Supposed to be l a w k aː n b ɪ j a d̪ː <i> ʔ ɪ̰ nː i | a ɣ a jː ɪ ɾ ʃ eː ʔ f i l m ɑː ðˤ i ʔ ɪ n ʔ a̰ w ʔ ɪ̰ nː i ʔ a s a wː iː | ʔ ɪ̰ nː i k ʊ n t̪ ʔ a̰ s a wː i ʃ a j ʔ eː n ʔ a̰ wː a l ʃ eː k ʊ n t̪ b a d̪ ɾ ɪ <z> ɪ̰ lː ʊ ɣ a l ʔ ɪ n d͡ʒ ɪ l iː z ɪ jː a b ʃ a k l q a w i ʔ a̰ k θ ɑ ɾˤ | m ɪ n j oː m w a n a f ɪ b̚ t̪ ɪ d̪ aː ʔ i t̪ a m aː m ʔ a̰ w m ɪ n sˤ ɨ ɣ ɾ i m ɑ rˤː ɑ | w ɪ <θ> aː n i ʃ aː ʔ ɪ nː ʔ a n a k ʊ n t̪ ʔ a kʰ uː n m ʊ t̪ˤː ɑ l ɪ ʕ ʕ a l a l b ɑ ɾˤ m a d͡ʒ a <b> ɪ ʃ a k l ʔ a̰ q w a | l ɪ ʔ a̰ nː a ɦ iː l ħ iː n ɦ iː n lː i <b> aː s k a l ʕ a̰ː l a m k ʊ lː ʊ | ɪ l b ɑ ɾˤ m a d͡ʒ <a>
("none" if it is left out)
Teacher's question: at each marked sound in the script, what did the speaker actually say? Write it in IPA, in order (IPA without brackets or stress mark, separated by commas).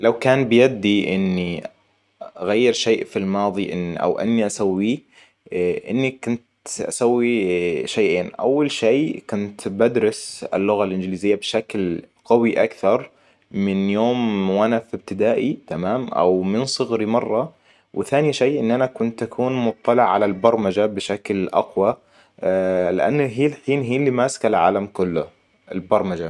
i, s, θ, b, m, a